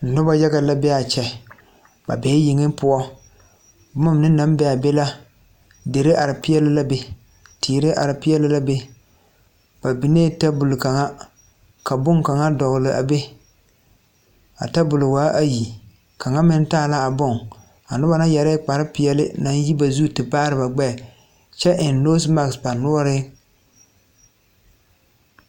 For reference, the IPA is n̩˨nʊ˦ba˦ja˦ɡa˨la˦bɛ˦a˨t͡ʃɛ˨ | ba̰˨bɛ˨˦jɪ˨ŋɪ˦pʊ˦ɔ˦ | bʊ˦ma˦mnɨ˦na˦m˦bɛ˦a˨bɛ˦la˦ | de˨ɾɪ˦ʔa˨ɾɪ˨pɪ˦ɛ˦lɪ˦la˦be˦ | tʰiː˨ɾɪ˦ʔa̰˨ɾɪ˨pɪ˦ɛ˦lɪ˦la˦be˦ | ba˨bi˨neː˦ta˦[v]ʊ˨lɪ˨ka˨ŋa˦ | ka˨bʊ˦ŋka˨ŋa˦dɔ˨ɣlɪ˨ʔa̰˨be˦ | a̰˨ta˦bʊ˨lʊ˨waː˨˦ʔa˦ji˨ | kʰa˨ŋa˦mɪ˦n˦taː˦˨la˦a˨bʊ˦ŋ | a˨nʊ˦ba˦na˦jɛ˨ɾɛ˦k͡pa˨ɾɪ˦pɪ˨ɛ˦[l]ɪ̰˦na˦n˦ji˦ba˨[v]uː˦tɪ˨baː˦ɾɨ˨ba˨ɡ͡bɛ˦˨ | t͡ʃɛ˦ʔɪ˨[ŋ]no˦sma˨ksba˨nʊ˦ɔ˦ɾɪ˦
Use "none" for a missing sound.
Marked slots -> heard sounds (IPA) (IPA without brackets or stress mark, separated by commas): b, l, z, n